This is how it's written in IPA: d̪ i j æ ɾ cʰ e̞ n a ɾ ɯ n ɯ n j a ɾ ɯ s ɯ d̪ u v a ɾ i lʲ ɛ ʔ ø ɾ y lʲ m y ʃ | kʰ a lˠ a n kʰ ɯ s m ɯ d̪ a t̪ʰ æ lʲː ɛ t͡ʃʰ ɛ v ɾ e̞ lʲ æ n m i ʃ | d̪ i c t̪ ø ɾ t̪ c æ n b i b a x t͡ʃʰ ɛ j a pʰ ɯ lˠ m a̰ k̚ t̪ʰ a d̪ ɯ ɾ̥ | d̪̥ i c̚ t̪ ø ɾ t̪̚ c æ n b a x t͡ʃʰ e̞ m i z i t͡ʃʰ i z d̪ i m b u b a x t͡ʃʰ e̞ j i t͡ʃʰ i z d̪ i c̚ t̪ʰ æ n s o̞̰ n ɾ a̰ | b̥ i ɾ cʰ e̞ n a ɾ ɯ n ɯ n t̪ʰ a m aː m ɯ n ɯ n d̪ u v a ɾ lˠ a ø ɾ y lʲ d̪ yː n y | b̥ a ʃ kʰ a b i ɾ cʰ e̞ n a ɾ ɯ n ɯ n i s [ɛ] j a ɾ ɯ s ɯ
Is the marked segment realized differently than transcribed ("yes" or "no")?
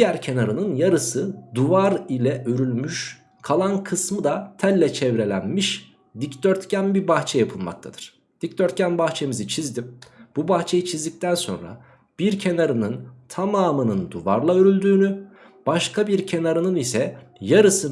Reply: no